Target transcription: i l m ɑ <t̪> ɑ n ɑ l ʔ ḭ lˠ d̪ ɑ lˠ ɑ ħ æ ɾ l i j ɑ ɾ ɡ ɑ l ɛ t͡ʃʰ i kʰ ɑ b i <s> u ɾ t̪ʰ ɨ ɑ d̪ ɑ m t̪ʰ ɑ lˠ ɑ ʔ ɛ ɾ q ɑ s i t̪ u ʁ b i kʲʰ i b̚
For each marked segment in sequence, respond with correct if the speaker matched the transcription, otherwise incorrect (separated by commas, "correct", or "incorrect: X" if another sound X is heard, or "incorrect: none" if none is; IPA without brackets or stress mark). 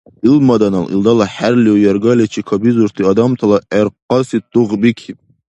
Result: incorrect: d̪, incorrect: z